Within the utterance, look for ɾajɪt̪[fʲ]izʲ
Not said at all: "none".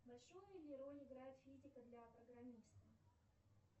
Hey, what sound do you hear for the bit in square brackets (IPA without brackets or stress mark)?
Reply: fʲ